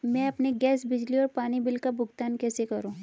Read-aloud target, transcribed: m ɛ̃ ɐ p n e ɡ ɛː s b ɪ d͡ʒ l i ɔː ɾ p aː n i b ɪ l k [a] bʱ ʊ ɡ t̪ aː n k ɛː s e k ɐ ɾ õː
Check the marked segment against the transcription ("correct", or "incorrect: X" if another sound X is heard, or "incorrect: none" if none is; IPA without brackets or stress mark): correct